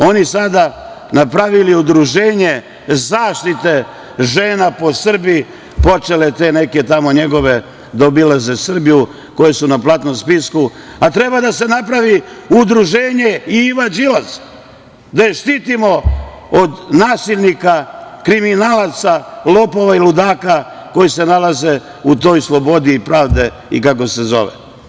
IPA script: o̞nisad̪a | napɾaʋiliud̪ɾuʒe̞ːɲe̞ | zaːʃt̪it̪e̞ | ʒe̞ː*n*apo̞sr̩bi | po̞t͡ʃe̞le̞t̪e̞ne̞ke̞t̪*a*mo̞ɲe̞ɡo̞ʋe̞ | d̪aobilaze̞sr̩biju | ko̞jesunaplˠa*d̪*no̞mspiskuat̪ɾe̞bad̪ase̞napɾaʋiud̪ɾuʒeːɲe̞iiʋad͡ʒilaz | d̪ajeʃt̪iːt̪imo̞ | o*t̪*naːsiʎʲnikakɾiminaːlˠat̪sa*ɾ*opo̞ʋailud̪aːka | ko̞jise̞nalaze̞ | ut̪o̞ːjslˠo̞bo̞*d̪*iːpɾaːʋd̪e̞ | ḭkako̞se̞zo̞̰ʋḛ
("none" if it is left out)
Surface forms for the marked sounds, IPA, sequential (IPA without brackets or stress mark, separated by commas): n, a, t̪, d̪, l, d̪